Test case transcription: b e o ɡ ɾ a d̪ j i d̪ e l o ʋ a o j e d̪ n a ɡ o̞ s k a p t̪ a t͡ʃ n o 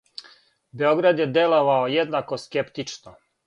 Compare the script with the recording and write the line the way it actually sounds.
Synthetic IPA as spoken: b e o ɡ ɾ a d̪ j e d̪ e l o ʋ a o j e d̪ n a k o̞ s k e p t̪ i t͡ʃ n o